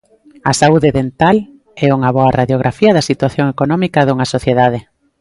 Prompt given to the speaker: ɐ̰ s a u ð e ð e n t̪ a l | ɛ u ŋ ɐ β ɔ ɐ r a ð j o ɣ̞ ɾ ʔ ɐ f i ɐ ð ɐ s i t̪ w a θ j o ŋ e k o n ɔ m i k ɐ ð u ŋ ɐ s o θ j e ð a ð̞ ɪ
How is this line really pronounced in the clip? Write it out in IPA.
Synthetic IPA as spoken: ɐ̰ s a u ð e ð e n t̪ a l | ɛ u ŋ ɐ β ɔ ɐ r a ð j o ɣ̞ ɾ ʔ a f i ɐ ð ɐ s i t̪ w a θ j o ŋ e k o n ɔ m i k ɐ ð u ŋ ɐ s o θ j e ð a ð̞ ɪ